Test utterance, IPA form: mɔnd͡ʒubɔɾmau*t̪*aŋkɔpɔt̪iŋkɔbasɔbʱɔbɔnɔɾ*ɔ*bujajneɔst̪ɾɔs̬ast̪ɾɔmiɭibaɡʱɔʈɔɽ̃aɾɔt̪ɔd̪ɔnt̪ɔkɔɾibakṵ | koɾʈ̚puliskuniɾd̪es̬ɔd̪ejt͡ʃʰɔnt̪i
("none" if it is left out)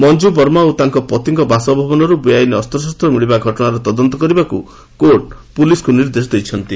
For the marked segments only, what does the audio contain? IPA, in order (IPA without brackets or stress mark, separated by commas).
t̪, u